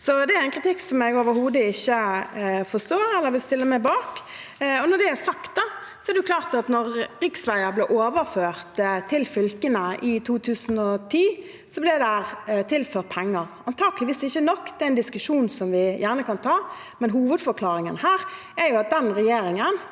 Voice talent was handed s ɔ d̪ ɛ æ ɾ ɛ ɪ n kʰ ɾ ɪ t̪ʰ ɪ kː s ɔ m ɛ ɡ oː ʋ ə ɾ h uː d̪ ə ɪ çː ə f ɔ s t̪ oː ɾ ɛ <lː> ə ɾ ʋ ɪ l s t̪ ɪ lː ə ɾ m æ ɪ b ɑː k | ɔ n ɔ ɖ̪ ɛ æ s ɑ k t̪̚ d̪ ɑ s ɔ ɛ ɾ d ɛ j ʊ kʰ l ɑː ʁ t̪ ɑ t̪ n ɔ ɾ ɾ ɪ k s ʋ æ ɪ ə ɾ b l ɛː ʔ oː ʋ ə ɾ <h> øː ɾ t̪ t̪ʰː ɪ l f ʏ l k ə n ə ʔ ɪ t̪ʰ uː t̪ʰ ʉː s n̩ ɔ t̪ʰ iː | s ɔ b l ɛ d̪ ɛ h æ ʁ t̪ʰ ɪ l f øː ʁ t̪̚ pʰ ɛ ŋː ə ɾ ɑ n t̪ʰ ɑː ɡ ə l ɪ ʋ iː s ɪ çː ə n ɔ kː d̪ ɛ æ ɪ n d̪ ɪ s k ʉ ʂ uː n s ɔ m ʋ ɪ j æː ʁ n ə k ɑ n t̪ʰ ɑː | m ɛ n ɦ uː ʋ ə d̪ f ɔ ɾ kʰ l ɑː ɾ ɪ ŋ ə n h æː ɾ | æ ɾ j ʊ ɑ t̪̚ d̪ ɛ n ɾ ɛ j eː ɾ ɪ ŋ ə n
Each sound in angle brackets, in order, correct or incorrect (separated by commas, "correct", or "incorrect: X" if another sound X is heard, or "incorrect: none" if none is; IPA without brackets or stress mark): correct, incorrect: f